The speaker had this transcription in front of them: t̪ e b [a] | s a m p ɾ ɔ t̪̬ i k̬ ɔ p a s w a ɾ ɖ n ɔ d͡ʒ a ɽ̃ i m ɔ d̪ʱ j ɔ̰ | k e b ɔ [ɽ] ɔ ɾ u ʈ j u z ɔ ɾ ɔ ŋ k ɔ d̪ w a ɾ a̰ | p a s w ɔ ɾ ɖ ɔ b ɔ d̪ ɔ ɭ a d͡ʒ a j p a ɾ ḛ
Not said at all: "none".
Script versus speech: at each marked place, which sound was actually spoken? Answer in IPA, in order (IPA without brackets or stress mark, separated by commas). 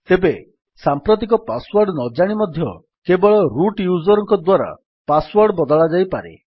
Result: e, ɭ